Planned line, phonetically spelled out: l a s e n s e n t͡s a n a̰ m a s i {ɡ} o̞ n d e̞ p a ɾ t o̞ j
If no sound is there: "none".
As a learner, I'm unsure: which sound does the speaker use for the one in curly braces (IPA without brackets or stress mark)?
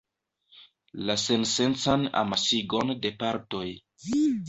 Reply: ɡ